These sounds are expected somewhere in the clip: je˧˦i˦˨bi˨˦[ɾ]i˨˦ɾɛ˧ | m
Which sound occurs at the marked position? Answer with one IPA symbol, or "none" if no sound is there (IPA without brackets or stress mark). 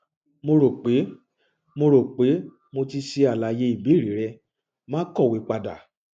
ɾ